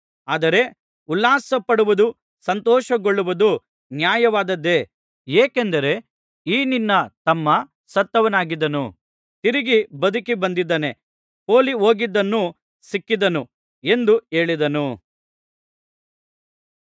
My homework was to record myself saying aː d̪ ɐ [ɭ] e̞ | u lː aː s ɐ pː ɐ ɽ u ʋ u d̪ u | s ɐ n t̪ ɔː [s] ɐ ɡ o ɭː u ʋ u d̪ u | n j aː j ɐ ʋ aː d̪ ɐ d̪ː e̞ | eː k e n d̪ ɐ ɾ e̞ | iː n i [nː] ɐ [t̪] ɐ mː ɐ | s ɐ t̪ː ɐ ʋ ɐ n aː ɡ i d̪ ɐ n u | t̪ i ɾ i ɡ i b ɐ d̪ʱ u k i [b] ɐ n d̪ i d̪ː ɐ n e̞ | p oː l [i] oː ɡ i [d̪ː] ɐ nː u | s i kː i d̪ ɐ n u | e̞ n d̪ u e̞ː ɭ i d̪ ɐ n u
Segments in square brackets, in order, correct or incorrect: incorrect: ɾ, incorrect: ʃ, correct, correct, correct, correct, correct

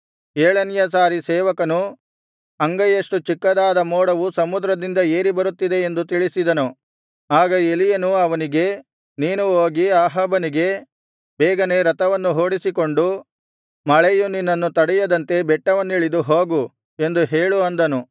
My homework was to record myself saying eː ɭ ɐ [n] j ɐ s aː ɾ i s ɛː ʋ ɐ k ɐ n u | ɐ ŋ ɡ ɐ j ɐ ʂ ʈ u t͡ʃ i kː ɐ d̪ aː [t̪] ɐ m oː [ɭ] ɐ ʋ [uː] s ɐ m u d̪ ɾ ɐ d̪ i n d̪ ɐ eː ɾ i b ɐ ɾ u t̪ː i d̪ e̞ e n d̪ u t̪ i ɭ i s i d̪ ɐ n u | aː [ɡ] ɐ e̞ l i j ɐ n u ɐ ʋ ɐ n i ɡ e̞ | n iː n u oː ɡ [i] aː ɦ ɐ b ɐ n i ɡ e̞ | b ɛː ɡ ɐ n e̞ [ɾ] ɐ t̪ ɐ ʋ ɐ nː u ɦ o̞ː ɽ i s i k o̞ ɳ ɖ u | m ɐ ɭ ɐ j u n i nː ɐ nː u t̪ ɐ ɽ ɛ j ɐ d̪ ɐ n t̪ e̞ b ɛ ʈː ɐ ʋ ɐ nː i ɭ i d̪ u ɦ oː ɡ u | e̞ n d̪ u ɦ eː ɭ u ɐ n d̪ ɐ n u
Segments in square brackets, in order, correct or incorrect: correct, incorrect: d̪, incorrect: ɽ, incorrect: u, correct, correct, correct

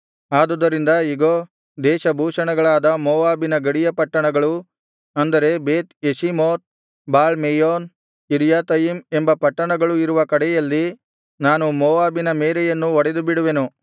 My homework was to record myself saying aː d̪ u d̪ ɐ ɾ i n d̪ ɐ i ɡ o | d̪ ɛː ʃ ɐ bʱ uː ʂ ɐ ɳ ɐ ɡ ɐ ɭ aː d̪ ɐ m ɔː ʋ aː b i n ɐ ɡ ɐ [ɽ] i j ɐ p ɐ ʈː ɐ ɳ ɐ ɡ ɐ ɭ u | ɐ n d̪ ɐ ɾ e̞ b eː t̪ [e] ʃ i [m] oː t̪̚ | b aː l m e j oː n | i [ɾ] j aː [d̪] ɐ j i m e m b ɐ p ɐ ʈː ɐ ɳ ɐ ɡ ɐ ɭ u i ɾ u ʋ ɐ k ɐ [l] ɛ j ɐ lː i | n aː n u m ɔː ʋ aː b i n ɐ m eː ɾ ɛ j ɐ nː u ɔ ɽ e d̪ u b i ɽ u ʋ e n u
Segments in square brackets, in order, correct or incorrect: correct, correct, correct, correct, incorrect: t̪, incorrect: ɽ

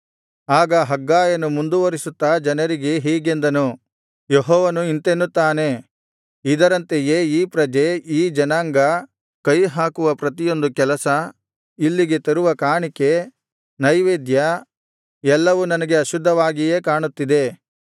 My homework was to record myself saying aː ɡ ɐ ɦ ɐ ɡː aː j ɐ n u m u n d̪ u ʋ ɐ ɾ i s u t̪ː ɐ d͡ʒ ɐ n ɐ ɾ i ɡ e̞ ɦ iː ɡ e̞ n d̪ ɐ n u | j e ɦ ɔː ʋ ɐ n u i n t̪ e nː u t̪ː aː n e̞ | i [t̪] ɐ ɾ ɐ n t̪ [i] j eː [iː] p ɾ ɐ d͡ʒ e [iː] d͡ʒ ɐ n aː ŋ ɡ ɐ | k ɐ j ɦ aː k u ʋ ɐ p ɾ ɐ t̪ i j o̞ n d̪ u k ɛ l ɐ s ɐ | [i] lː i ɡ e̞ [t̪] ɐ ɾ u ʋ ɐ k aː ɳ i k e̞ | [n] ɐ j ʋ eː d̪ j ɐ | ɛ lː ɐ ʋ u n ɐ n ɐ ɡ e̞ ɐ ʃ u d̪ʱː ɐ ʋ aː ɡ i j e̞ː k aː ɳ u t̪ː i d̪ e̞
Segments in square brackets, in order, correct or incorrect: incorrect: d̪, incorrect: e, correct, correct, correct, correct, correct

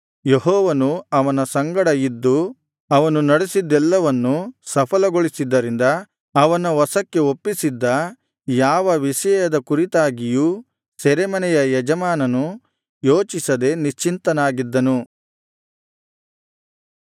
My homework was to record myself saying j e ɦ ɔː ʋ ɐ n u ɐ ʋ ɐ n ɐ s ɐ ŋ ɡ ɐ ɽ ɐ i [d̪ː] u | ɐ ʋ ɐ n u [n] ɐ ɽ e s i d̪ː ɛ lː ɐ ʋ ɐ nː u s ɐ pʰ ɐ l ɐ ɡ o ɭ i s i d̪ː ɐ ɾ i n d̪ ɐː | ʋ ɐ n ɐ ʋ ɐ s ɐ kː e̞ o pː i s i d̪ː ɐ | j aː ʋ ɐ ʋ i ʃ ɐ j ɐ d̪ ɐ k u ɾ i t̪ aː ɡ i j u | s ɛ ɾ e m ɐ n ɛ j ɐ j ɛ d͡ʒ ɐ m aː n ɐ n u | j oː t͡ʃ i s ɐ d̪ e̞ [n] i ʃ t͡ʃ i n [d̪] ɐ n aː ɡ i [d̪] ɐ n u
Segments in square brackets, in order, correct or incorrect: correct, correct, correct, incorrect: t̪, incorrect: d̪ː

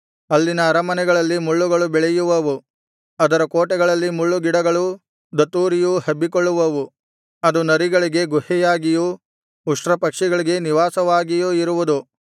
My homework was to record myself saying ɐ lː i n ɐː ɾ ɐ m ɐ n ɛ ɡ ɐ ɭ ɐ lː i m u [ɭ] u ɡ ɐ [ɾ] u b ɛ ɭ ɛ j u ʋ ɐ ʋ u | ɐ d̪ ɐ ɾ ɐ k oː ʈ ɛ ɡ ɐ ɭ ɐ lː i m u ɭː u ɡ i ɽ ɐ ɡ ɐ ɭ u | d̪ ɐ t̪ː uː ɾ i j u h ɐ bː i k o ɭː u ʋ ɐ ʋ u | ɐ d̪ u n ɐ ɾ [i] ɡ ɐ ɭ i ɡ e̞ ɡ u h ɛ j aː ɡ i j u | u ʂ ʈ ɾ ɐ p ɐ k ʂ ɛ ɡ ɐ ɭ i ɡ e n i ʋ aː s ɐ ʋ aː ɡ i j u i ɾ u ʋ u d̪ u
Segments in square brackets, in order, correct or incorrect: incorrect: ɭː, incorrect: ɭ, correct

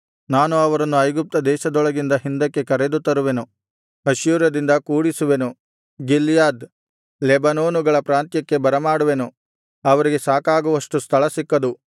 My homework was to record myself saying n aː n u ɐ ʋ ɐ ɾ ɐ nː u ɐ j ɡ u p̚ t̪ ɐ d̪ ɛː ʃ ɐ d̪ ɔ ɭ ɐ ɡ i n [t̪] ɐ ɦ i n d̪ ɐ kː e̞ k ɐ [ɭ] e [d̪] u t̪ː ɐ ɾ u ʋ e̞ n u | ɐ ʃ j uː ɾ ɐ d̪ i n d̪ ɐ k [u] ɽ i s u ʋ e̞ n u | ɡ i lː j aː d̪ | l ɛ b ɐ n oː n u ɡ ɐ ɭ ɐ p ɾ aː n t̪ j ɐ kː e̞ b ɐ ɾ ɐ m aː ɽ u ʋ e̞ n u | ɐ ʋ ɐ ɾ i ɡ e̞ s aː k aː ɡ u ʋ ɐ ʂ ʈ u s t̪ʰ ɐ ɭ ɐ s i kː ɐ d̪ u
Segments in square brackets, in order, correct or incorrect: incorrect: d̪, incorrect: ɾ, correct, incorrect: uː

